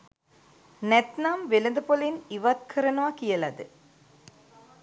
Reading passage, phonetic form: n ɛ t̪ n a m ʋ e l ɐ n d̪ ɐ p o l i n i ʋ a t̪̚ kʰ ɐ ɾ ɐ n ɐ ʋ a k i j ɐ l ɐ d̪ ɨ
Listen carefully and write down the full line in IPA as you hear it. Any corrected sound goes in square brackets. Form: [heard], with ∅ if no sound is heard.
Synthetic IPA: n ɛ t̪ n a m ʋ e l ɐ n d̪ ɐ p o l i n i ʋ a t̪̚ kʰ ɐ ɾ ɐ n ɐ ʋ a k i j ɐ l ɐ d̪ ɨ